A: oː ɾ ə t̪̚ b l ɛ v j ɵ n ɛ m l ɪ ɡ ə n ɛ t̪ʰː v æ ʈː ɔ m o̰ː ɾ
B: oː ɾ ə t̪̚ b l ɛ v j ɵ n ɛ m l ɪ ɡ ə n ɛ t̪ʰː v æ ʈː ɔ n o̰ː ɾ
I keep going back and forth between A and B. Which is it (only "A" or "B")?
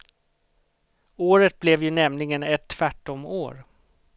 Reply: A